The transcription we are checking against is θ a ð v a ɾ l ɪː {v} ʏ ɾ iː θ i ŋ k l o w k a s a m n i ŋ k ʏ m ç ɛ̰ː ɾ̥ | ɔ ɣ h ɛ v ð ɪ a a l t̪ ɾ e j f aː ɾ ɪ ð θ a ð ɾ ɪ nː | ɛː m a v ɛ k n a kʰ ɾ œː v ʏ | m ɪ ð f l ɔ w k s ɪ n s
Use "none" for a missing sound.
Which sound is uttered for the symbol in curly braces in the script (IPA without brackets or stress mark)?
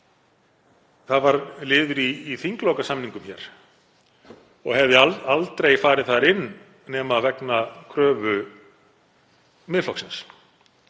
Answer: ð